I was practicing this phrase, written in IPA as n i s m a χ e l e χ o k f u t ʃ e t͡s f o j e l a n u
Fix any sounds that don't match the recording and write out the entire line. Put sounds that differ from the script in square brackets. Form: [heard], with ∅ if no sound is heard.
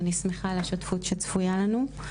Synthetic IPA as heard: n i s m [e] χ [a] l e [ʃ] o [t] f u t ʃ e t͡s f [u] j [a] l a n u